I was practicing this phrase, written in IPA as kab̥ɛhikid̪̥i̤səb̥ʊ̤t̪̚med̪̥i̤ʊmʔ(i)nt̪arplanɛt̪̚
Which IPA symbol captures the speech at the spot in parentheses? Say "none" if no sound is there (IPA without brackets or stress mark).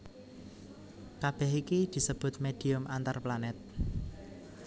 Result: a